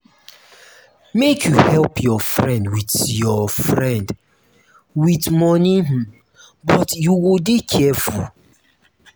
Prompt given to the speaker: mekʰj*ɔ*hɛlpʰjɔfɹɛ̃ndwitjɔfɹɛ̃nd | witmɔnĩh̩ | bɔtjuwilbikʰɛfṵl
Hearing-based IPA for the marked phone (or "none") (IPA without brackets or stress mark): u